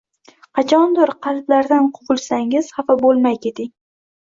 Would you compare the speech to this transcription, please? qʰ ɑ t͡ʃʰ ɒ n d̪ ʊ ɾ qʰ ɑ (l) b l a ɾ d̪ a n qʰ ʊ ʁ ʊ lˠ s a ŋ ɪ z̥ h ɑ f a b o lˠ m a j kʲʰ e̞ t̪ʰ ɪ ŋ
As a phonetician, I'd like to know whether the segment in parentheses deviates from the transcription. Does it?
no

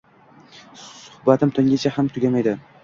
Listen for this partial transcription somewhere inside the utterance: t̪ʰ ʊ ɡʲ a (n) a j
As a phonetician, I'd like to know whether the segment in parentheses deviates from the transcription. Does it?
yes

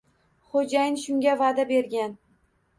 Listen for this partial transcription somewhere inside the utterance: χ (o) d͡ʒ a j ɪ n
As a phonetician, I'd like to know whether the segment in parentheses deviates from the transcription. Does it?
no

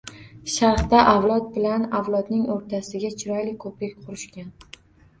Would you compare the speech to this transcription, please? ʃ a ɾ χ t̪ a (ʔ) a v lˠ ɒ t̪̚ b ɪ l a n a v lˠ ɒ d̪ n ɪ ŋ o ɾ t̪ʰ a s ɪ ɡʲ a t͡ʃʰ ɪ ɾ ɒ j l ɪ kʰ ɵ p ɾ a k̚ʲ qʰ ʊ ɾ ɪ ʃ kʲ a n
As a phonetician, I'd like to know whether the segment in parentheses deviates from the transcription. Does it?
no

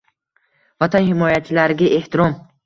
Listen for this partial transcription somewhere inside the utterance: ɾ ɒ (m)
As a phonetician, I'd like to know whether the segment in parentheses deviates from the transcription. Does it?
no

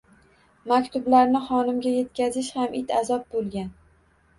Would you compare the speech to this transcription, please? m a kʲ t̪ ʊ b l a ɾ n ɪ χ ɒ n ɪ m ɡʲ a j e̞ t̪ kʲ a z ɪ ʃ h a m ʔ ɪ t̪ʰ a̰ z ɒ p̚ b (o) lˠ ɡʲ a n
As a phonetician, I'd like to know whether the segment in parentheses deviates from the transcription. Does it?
no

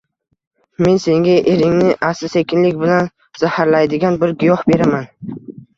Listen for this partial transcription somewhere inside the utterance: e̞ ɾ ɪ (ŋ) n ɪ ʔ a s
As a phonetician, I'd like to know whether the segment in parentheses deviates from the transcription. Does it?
no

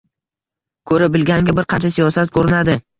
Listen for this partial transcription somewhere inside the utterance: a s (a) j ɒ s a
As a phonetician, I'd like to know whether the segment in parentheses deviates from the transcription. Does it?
yes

